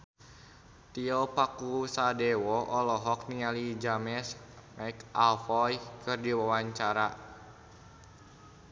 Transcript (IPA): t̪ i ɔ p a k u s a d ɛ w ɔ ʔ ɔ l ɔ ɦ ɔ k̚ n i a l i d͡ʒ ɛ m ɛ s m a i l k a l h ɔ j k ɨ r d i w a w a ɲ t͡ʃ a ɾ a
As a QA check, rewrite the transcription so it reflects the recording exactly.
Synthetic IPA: t̪ i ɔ p a k u s a d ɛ w ɔ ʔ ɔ l ɔ ɦ ɔ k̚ n i a l i d͡ʒ a m ɛ s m a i k a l f ɔ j k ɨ r d i w a w a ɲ t͡ʃ a ɾ a